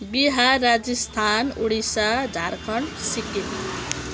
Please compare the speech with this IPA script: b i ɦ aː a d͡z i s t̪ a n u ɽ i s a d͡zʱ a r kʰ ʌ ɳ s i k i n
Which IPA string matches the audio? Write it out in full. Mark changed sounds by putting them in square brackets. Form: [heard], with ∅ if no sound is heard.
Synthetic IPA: b i ɦ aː a d͡z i s [t̪ʰ] a n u ɽ i s a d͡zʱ a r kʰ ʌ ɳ s i k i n